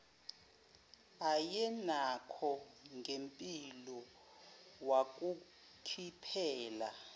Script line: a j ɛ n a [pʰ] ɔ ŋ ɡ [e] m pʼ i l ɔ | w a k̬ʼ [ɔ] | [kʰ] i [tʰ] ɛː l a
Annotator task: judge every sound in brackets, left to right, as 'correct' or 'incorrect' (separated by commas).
incorrect, correct, incorrect, correct, incorrect